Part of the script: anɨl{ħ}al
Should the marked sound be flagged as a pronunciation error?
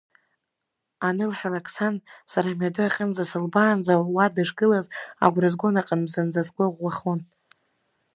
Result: no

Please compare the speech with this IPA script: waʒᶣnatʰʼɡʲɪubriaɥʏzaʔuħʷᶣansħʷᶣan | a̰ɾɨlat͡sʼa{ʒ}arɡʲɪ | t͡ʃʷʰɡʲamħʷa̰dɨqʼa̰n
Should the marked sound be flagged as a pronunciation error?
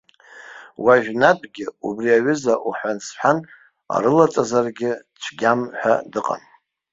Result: yes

